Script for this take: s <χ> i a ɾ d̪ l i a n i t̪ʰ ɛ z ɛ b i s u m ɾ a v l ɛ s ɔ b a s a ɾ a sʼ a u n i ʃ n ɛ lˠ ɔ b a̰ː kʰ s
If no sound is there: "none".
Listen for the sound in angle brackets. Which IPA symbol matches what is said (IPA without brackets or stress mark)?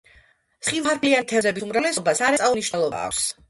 χ